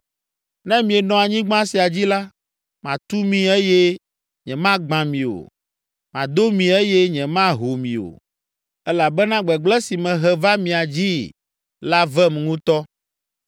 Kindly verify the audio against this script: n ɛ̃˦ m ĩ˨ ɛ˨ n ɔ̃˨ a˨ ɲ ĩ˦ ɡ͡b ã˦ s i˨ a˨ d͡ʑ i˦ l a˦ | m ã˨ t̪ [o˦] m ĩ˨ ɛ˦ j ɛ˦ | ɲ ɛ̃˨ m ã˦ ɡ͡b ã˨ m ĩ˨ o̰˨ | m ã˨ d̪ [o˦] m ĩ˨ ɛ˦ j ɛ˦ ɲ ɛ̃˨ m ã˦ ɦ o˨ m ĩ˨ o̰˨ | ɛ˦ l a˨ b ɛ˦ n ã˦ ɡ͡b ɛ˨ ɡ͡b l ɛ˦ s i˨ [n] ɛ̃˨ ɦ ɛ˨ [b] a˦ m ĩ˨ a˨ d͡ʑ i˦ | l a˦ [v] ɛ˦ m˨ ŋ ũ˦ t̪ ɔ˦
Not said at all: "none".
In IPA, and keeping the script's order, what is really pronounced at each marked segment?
u˦, o˦, m, v, v

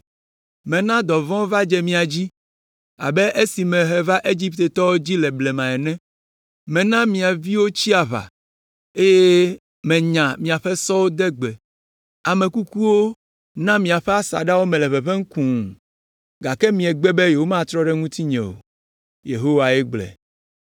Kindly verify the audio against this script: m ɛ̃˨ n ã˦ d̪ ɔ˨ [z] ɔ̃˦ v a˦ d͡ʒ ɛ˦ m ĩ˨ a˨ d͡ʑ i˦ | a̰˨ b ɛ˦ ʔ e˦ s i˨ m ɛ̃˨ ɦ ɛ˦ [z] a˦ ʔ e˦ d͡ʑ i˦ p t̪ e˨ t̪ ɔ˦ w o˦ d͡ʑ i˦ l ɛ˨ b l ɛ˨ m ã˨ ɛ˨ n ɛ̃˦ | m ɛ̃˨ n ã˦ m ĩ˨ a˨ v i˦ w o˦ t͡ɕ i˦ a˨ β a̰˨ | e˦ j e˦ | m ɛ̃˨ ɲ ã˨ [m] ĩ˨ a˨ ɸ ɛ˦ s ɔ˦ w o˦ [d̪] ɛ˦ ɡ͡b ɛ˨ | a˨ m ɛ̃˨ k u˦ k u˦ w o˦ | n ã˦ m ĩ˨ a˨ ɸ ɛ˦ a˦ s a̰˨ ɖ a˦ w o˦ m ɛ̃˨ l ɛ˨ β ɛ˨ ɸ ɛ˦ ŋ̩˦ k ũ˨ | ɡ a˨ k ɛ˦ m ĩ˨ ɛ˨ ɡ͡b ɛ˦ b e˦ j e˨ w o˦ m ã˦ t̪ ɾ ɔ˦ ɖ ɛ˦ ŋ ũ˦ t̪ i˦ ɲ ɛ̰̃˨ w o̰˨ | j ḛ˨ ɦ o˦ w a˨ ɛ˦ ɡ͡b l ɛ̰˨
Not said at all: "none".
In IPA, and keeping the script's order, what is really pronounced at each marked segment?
v, v, m, d̪

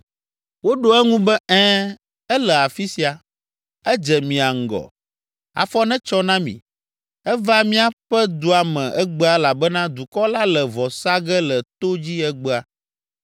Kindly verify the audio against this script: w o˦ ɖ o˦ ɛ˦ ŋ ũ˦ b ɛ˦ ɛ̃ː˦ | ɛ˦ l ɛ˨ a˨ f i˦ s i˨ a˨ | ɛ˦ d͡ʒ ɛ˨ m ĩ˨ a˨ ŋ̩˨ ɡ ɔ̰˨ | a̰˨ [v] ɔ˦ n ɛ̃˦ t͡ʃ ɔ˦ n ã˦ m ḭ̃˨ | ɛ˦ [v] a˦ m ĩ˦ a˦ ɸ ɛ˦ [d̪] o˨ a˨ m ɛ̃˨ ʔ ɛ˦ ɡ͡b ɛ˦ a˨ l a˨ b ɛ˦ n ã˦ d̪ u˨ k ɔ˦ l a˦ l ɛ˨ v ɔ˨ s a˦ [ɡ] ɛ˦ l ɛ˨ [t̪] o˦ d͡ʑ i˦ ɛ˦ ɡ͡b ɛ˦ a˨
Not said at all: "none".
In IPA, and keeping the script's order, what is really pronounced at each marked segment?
f, v, d̪, ɡ, t̪

